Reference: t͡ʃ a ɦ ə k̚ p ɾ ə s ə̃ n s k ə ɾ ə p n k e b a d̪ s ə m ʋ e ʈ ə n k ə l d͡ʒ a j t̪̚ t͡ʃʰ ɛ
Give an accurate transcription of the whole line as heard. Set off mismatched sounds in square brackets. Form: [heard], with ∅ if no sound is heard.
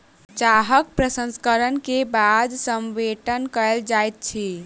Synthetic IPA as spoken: t͡ʃ a ɦ ə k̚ p ɾ ə s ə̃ n s k ə ɾ ə [∅] n k e b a d̪ s ə m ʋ e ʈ ə n k ə l d͡ʒ a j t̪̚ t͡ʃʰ [i]

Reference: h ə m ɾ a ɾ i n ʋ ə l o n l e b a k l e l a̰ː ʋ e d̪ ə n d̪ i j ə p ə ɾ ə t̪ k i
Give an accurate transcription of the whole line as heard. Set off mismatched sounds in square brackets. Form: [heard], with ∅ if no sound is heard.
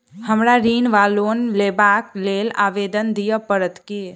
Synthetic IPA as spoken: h ə m ɾ a ɾ i n ʋ [a] l o n l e b a k l e l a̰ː ʋ e d̪ ə n d̪ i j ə p ə ɾ ə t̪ k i

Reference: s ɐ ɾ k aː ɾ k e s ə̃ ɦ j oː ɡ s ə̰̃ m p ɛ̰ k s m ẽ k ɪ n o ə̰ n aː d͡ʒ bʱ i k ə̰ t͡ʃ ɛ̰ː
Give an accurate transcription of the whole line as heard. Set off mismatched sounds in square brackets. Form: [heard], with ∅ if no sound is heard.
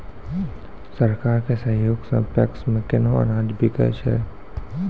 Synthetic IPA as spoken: s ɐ ɾ k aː ɾ k e s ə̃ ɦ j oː ɡ s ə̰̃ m p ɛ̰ k s m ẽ k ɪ n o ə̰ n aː d͡ʒ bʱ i k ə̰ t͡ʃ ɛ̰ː

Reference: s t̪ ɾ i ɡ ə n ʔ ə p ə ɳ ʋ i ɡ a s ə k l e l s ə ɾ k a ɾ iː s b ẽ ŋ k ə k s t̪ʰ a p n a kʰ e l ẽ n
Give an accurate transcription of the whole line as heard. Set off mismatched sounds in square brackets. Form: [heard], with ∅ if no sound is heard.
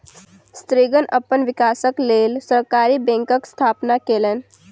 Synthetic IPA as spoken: s t̪ ɾ i ɡ ə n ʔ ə p ə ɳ ʋ i [k] a s ə k l e l s ə ɾ k a ɾ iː [∅] b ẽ ŋ k ə k s t̪ʰ a p n a [k] e l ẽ n

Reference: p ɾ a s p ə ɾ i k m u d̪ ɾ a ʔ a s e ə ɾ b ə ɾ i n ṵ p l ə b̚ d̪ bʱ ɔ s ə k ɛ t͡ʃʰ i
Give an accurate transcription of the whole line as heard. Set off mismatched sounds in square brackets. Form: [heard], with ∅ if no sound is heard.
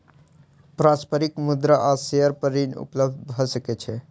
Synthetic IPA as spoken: p ɾ a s p ə ɾ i k m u d̪ ɾ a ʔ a s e ə ɾ [p] ə ɾ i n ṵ p l ə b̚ d̪ bʱ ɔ s ə k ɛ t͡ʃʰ [ɛ]

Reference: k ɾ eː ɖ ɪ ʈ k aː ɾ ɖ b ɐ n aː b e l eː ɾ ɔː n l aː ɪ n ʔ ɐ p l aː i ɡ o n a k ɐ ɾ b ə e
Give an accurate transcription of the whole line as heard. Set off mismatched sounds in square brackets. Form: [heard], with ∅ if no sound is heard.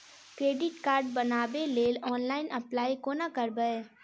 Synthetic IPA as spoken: k ɾ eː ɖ ɪ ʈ k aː ɾ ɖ b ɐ n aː b e l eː [l] ɔː n l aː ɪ n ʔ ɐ p l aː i [k] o n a k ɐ ɾ b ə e

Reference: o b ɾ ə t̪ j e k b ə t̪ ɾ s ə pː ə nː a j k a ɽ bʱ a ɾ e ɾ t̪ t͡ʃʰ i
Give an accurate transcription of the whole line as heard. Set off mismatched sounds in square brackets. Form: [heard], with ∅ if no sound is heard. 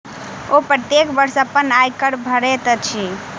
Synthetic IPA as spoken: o [p] ɾ ə t̪ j e k b ə [∅] ɾ s ə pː ə [n] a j k [ə] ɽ bʱ [ə] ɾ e [∅] t̪ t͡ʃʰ i

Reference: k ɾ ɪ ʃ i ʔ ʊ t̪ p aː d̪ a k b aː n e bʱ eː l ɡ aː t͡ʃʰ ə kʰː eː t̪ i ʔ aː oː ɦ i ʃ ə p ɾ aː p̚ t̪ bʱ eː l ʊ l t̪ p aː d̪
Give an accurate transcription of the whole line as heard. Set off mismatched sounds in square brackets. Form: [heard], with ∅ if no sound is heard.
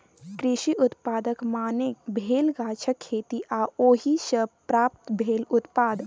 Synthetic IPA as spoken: k ɾ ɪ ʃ i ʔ ʊ t̪ p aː d̪ [ə] k [m] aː n e bʱ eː l ɡ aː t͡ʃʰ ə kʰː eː t̪ i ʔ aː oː ɦ i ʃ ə p ɾ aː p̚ t̪ bʱ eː l ʊ [∅] t̪ p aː d̪

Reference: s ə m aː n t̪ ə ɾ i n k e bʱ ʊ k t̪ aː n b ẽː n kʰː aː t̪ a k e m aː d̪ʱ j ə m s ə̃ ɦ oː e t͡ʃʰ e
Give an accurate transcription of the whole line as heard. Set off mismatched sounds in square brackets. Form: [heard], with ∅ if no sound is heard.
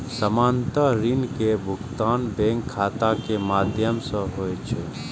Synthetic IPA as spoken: s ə m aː n t̪ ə ɾ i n k e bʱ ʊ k t̪ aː n b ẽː [ŋ] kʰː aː t̪ a k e m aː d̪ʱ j ə m s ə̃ ɦ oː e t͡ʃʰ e

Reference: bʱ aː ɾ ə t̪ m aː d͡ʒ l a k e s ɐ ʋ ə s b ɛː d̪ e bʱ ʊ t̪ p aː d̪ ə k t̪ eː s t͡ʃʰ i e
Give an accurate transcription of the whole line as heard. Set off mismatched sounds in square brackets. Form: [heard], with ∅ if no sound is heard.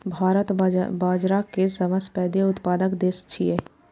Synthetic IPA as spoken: bʱ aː ɾ ə t̪ [b] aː d͡ʒ [ɾ] a k e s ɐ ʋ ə s [p] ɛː d̪ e [∅] ʊ t̪ p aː d̪ ə k [d̪] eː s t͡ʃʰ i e

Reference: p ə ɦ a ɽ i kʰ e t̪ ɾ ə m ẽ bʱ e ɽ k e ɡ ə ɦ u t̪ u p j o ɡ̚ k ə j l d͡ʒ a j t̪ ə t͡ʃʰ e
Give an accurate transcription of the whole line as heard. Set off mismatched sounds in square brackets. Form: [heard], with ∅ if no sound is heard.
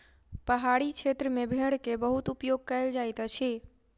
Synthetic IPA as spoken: p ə ɦ a ɽ i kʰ e t̪ ɾ ə m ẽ bʱ e ɽ k e [b] ə ɦ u t̪ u p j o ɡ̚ k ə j l d͡ʒ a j t̪ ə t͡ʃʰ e

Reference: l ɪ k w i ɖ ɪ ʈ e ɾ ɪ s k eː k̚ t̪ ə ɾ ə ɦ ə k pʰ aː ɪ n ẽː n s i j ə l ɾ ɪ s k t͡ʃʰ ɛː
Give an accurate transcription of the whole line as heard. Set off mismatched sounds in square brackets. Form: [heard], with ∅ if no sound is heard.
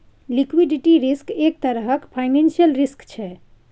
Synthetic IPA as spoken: l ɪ k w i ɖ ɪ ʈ [i] ɾ ɪ s k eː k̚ t̪ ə ɾ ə ɦ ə k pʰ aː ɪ n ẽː n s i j ə l ɾ ɪ s k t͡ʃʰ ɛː

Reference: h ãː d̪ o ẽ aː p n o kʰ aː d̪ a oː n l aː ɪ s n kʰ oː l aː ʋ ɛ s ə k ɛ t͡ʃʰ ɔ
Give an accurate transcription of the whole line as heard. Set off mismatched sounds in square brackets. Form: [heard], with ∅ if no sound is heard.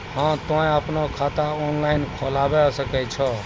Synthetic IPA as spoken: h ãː [t̪] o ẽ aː p n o kʰ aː [t̪] a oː n l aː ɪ [∅] n kʰ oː l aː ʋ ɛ s ə k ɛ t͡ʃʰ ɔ

